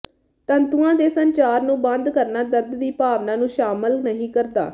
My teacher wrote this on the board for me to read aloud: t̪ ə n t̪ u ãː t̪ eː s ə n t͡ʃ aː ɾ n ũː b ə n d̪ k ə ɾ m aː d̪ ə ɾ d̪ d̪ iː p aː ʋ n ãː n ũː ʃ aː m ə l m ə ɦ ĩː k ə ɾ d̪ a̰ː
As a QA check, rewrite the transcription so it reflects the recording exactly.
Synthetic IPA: t̪ ə n t̪ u ãː d̪ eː s ə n t͡ʃ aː ɾ n ũː b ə n d̪ k ə ɾ n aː d̪ ə ɾ d̪ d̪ iː p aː ʋ n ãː n ũː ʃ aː m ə l n ə ɦ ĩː k ə ɾ d̪ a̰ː